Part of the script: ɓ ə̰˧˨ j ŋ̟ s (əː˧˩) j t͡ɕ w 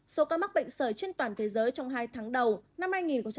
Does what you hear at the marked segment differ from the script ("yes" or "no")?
no